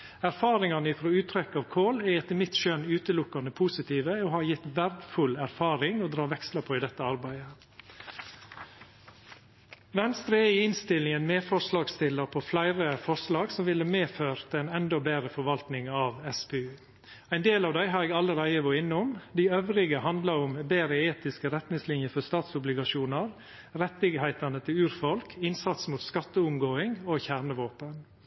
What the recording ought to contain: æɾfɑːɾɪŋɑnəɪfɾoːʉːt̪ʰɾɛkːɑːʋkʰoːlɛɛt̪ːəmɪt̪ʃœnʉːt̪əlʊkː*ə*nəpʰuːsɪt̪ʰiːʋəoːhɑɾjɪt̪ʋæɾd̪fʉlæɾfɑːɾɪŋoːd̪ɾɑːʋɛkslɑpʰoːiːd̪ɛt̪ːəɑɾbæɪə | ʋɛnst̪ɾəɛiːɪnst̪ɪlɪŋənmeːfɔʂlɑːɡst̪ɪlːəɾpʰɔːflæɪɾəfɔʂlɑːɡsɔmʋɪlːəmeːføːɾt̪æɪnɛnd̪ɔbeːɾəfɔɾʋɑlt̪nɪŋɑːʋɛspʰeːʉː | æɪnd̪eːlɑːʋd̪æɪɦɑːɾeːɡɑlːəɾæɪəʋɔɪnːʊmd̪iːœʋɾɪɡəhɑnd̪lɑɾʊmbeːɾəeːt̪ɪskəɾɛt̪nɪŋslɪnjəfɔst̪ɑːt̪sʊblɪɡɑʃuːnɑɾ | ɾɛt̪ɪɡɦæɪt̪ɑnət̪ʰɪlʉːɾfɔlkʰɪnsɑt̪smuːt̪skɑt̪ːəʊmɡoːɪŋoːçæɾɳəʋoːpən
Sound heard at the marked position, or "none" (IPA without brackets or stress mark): ɑ